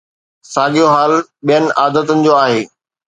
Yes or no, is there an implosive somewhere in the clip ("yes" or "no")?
yes